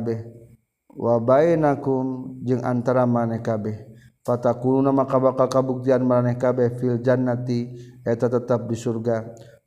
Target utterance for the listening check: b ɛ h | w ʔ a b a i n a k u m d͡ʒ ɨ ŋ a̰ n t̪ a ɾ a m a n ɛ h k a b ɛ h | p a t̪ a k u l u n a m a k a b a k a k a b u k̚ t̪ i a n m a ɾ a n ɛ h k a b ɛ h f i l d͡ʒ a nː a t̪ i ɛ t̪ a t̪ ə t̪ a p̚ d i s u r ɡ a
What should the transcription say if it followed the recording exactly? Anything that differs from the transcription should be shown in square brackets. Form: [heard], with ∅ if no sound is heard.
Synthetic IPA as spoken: b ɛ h | w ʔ a b a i n a k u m d͡ʒ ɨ ŋ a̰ n t̪ a ɾ a m a n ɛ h k a b ɛ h | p a t̪ a k u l u n a m a k a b a k a k a b u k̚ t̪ i a n m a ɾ a n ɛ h k a b ɛ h f i l d͡ʒ a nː a t̪ i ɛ t̪ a t̪ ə t̪ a p̚ d i s u r ɡ a